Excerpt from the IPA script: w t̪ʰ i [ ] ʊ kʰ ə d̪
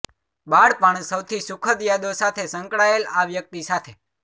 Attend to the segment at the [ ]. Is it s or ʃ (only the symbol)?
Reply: s